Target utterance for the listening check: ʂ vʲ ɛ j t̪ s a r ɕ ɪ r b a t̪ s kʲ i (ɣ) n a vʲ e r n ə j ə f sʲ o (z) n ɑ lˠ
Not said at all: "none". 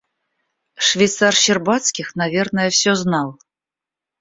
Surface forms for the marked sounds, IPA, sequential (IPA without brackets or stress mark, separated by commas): x, z